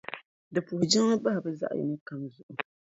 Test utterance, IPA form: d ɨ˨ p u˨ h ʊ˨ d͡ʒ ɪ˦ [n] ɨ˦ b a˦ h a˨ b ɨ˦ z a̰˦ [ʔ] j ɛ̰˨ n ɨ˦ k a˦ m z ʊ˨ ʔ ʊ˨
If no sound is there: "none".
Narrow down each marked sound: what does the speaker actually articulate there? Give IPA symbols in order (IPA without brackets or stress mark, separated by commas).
ŋ, ʔ